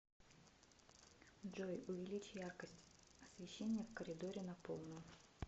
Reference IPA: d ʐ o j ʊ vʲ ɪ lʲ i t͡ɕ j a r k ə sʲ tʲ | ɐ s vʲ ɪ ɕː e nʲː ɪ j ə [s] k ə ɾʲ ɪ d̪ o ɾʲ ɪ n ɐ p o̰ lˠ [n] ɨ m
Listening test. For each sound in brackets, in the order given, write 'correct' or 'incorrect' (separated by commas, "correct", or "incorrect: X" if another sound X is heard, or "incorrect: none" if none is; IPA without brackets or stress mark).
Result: incorrect: f, correct